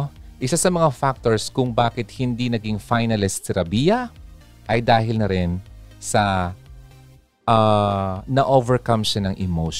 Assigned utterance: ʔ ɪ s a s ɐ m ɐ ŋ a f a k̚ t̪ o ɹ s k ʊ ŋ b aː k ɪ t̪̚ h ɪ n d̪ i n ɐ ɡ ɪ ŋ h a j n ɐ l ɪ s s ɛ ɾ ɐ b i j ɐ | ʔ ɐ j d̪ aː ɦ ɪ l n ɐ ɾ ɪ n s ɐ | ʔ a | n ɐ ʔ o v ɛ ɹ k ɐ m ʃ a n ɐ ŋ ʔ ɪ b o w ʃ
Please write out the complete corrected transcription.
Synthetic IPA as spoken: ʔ ɪ s a s ɐ m ɐ ŋ a f a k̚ t̪ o ɹ s k ʊ ŋ b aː k ɪ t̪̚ h ɪ n d̪ i n ɐ ɡ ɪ ŋ f a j n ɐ l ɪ s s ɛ ɾ ɐ b i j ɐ | ʔ ɐ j d̪ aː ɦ ɪ l n ɐ ɾ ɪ n s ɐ | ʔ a | n ɐ ʔ o v ɛ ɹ k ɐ m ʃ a n ɐ ŋ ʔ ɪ m o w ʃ